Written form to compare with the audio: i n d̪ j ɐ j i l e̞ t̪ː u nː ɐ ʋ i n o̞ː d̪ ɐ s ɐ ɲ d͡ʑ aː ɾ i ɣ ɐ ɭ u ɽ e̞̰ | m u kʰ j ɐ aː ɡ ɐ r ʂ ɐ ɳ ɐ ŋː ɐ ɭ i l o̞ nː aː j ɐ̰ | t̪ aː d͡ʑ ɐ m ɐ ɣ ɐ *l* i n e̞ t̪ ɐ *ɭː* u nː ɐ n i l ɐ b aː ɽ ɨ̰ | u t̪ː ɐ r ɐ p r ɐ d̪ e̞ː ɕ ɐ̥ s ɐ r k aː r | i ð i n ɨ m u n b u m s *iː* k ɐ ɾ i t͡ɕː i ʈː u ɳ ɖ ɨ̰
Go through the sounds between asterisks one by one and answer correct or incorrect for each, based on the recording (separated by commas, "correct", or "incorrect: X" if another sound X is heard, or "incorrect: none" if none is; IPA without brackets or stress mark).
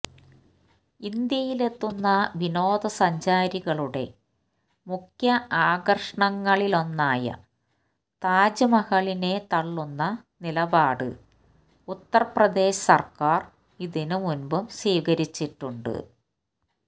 incorrect: ɭ, correct, correct